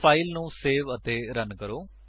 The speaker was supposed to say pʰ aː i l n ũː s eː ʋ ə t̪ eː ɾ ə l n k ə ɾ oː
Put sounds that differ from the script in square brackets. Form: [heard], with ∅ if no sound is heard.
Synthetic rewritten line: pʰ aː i l n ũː s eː ʋ ə t̪ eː ɾ ə [∅] n k ə ɾ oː